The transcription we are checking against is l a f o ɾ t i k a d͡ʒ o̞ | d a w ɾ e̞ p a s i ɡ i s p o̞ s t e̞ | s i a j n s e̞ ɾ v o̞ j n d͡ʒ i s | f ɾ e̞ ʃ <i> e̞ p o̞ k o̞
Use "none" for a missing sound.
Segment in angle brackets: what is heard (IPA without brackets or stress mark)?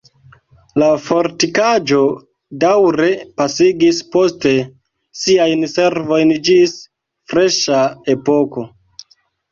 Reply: a